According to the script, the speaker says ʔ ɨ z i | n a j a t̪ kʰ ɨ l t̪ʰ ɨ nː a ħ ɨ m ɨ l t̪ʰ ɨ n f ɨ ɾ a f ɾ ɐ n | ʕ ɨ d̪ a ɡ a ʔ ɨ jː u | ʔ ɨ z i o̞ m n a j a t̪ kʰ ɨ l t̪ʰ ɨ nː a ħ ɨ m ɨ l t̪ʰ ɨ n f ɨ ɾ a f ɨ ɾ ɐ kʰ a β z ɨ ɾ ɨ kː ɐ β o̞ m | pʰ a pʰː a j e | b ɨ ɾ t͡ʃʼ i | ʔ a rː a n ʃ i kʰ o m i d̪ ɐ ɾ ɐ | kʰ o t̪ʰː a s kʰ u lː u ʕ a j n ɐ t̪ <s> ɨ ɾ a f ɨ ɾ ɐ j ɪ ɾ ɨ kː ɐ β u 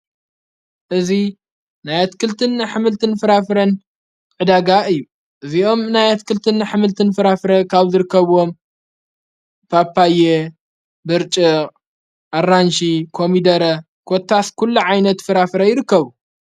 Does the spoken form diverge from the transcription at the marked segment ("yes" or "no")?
yes